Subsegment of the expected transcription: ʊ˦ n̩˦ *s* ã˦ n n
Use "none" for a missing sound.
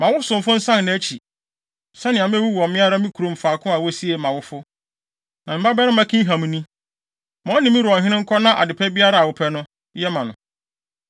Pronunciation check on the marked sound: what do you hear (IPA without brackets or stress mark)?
s